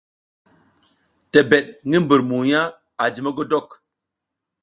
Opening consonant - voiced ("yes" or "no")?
no